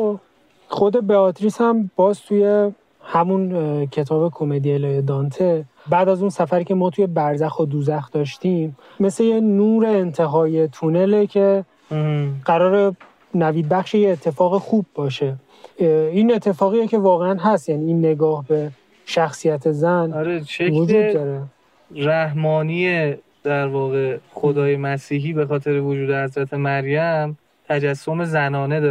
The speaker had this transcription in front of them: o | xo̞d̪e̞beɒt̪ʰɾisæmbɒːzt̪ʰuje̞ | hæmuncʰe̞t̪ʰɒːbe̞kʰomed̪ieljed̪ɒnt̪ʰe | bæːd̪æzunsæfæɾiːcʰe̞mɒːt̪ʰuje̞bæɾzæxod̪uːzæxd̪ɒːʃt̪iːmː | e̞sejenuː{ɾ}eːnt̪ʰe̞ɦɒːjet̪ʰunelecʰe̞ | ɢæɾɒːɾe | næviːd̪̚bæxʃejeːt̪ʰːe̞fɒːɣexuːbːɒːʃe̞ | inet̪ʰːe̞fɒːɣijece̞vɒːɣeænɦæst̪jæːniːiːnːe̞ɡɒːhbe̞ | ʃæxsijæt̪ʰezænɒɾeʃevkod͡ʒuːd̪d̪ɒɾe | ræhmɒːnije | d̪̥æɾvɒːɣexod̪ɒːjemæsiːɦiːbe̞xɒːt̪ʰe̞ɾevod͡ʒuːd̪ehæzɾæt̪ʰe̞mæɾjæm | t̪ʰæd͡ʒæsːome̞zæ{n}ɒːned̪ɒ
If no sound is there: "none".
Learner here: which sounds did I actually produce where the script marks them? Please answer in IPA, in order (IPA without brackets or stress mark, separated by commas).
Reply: ɾ, n